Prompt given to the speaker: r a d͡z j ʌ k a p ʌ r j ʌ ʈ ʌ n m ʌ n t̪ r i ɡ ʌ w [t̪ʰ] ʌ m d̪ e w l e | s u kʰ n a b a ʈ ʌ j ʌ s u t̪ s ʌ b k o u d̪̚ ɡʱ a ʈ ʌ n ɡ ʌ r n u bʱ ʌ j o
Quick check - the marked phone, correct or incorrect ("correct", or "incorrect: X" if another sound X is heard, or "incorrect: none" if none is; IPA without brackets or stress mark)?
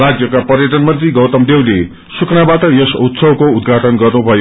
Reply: incorrect: t̪